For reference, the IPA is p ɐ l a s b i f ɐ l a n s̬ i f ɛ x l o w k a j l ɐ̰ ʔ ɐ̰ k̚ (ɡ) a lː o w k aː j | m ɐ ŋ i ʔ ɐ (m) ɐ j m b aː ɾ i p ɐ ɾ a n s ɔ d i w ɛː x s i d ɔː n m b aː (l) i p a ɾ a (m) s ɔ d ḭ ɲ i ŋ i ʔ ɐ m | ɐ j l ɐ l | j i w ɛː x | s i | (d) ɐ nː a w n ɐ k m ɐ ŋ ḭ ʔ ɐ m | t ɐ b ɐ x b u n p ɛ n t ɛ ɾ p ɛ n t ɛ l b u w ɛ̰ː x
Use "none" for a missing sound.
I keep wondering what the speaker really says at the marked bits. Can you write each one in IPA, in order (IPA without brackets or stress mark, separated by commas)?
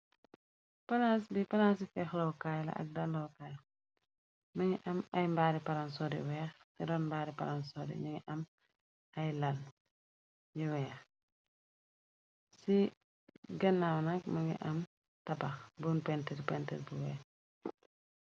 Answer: d, m, ɾ, n, ɡ